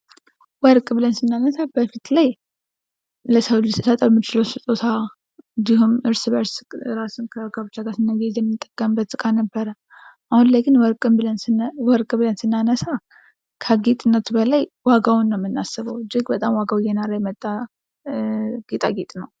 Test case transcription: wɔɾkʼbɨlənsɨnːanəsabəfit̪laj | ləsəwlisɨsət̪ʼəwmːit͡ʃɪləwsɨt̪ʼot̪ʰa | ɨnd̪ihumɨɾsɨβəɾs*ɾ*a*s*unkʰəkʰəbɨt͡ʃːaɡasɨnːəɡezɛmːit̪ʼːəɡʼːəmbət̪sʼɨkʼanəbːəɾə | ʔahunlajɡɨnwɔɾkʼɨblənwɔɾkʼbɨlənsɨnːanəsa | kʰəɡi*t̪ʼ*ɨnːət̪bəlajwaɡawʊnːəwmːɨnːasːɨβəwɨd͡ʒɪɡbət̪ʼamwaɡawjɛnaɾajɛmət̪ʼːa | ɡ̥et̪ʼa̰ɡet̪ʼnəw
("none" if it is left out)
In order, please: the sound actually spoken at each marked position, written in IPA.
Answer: ɾ, s, t̪ʼ

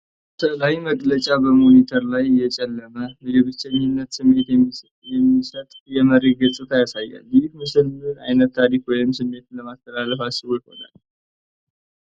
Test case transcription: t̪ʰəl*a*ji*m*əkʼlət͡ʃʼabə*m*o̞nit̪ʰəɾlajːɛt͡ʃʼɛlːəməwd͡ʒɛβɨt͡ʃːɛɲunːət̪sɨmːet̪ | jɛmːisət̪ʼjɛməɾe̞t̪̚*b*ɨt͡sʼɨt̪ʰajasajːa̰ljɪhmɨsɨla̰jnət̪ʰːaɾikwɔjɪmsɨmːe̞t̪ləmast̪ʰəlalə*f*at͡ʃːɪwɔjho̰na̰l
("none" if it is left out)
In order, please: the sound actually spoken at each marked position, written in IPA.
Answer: a, m, m, ɡ, f

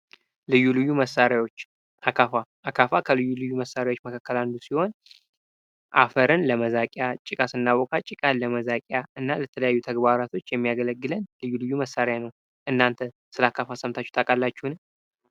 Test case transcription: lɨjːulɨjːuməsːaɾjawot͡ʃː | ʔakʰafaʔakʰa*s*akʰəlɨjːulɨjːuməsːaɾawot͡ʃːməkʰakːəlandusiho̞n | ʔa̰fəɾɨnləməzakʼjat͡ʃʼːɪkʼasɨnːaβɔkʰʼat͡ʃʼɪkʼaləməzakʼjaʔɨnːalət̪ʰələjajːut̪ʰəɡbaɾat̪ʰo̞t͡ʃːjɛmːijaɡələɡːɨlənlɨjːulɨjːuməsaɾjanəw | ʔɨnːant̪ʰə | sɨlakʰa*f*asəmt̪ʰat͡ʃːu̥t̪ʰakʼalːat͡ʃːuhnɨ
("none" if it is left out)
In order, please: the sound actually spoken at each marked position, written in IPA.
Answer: f, f

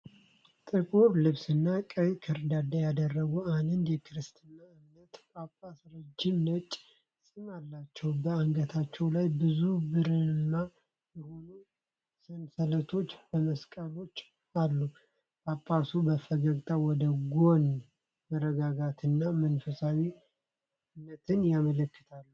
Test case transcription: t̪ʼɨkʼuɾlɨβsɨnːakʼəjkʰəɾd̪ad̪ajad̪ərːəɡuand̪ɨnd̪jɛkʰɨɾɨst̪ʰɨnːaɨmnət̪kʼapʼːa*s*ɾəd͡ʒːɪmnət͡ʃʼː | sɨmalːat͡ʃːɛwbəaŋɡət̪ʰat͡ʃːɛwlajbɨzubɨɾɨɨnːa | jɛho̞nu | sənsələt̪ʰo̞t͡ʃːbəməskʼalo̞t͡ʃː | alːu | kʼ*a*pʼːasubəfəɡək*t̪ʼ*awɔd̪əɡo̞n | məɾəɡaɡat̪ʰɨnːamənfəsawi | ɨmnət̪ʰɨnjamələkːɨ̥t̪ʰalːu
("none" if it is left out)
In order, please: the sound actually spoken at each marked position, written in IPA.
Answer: s, a, t̪ʼ

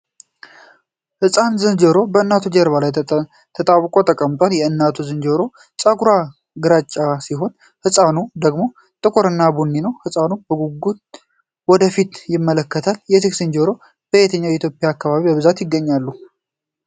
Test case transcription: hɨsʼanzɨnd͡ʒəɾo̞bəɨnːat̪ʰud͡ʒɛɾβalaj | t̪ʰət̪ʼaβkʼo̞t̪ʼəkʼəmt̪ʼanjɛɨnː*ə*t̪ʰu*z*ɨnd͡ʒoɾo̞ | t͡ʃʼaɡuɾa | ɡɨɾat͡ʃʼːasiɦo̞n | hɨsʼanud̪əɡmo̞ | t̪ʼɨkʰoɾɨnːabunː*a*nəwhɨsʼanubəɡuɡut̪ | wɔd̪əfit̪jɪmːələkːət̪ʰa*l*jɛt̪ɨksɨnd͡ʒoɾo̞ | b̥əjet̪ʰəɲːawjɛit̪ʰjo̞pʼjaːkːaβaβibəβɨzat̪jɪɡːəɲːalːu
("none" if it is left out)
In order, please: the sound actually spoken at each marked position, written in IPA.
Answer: a, z, i, l

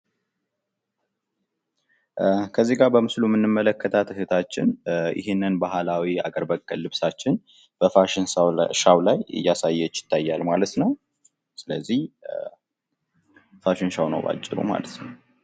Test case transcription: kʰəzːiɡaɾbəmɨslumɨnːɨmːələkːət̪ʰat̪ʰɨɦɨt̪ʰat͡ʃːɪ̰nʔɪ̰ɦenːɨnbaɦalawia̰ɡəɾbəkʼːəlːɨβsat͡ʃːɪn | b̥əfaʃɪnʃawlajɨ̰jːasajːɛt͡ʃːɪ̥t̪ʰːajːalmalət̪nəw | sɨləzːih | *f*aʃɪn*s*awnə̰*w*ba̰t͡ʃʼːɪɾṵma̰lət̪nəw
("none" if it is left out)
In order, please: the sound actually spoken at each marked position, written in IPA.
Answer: f, ʃ, w

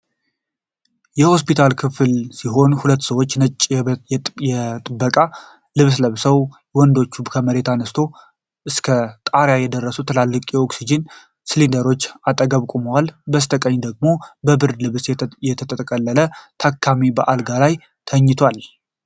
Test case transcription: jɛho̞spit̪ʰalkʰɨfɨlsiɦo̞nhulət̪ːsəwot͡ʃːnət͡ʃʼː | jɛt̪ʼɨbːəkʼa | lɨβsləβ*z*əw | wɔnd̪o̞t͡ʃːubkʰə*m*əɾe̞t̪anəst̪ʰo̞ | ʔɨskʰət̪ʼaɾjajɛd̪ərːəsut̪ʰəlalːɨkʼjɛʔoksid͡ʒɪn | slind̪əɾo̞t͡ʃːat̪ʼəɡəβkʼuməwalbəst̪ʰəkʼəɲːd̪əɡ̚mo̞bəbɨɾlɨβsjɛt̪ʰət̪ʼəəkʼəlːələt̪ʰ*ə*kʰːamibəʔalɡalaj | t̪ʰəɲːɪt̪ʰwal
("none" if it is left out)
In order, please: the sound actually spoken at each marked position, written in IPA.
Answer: s, m, a

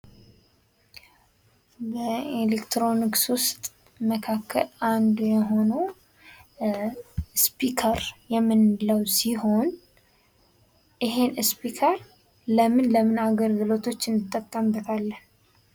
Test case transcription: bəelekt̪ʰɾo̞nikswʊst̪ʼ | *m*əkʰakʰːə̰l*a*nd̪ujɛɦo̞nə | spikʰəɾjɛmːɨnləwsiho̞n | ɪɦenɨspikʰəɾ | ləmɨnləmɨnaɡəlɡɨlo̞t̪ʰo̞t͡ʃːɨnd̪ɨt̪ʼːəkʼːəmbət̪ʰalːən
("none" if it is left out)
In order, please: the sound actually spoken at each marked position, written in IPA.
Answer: m, a

